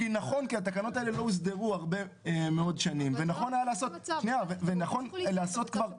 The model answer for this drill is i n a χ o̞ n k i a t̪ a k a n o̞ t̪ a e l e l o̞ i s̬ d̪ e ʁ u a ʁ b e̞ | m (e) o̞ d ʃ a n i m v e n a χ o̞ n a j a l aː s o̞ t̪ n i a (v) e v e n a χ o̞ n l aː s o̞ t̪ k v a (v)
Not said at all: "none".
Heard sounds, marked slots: e, v, ʁ

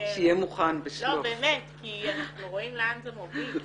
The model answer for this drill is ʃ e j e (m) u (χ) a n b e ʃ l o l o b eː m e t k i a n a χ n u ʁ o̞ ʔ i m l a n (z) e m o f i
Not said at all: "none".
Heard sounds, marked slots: m, χ, z

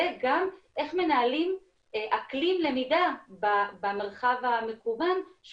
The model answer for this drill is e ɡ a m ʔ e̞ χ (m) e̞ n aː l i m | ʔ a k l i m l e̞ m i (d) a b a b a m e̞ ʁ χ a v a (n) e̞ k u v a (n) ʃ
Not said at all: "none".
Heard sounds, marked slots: m, d, m, n

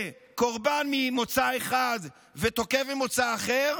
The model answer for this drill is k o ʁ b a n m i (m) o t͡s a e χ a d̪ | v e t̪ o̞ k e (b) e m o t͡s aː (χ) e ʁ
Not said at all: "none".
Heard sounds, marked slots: m, v, χ

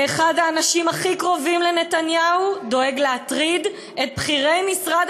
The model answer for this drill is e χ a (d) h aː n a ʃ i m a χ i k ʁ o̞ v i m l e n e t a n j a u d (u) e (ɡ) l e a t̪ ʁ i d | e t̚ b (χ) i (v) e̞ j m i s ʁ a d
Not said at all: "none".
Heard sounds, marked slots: d, o, ɡ, χ, ʁ

